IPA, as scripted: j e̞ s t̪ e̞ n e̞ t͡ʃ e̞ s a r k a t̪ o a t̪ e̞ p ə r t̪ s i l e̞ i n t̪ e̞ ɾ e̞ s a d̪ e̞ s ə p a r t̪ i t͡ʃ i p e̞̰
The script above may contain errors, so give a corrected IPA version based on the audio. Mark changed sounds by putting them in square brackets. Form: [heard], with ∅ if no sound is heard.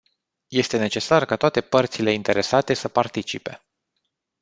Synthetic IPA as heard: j e̞ s t̪ e̞ n e̞ t͡ʃ e̞ s a r k a t̪ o a t̪ e̞ p ə r t̪ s i l e̞ i n t̪ e̞ ɾ e̞ s a [t̪] e̞ s ə p a r t̪ i t͡ʃ i p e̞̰

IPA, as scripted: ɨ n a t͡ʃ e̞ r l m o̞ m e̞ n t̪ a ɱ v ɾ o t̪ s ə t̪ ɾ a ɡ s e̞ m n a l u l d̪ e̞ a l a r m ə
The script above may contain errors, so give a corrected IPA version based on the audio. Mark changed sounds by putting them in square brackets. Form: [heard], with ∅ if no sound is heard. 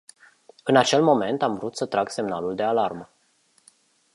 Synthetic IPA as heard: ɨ n a t͡ʃ e̞ [∅] l m o̞ m e̞ n t̪ a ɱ v ɾ [u] t̪ s ə t̪ ɾ a ɡ s e̞ m n a l u l d̪ e̞ a l a r m ə

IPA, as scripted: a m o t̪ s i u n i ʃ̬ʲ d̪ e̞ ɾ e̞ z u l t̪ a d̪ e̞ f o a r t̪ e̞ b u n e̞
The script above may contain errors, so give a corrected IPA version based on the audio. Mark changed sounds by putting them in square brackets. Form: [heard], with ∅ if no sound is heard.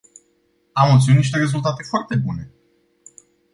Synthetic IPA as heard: a m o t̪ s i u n i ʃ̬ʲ [t̪] e̞ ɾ e̞ z u l t̪ a [t̪] e̞ f o a r t̪ e̞ b u n e̞

